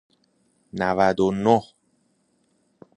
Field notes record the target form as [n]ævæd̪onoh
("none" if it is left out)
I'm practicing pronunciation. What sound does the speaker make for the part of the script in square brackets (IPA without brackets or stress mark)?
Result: n